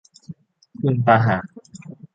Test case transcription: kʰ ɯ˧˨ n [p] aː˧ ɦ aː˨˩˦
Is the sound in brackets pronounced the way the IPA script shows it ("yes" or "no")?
yes